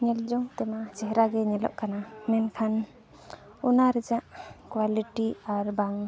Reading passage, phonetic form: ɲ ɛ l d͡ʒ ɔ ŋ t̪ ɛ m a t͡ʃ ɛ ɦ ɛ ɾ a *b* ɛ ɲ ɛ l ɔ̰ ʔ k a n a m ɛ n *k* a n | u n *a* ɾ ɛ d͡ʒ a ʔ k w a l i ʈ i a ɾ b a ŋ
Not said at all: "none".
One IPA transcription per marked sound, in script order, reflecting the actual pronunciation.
ɡ, kʰ, a

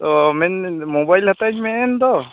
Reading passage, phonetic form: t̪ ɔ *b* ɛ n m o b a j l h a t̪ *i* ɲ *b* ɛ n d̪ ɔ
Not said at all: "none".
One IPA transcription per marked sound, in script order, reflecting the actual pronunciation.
m, a, m

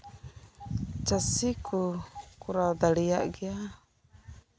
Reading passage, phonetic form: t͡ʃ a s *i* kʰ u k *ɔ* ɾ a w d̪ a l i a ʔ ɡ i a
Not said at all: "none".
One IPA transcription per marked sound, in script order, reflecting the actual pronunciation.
i, u

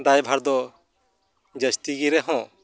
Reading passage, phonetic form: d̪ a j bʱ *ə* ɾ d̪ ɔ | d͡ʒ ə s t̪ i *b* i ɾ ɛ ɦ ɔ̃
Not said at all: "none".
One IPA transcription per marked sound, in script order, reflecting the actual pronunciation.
a, ɡ

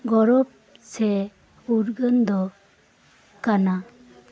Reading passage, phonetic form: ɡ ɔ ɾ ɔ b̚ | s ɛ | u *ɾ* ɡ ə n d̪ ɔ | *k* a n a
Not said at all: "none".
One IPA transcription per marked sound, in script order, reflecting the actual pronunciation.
ɾ, k

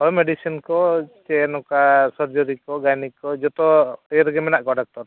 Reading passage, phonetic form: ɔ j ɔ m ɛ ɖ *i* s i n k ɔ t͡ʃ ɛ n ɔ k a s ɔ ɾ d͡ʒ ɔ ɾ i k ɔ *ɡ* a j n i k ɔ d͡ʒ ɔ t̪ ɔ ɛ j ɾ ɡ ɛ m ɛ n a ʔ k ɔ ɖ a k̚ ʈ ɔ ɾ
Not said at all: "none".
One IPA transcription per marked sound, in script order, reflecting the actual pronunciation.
i, ɡ

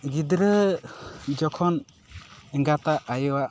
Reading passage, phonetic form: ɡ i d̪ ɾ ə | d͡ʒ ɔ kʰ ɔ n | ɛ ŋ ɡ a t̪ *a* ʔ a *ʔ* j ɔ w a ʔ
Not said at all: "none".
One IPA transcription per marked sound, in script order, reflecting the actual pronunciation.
a, none

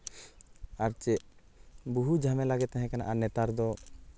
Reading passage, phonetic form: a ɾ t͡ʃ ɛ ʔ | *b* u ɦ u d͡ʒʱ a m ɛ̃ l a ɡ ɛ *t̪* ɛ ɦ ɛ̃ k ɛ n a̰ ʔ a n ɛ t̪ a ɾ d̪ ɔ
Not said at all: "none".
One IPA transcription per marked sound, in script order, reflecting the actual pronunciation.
b, t̪

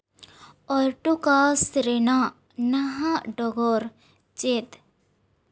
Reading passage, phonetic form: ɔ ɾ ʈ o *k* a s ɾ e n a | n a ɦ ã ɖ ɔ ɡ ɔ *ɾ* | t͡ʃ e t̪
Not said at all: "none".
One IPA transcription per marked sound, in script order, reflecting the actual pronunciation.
k, ɾ

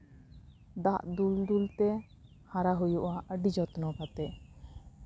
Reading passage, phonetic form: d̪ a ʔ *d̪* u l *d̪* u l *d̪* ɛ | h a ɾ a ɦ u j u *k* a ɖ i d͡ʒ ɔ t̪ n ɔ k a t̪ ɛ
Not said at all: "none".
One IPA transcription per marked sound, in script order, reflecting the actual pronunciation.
d̪, d̪, t̪, ʔ

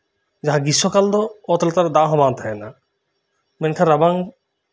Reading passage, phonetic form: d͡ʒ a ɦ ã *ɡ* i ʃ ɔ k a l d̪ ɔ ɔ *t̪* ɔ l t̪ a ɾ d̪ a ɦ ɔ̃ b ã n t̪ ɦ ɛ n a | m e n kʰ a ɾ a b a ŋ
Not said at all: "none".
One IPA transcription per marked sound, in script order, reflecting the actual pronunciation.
ɡ, t̪

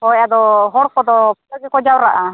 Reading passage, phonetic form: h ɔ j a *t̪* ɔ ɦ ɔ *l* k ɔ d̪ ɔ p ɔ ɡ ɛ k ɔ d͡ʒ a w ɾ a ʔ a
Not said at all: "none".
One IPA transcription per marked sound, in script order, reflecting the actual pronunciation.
d̪, ɾ

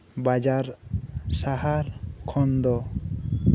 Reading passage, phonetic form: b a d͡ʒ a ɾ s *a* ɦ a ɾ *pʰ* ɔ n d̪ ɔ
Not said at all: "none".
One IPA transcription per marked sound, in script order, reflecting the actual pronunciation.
a, kʰ

